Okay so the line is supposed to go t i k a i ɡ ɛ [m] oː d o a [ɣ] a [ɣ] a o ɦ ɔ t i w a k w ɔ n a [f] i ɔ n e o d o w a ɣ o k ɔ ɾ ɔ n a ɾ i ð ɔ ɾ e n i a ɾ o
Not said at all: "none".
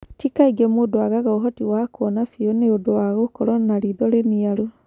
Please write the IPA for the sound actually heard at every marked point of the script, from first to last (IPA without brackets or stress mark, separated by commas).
m, ɣ, ɣ, f